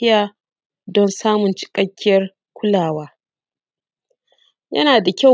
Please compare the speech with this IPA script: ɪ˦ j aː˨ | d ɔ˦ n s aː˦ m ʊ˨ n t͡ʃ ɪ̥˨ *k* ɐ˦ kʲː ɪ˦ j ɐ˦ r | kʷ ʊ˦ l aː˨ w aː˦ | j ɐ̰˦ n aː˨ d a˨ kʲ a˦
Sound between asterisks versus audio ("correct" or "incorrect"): incorrect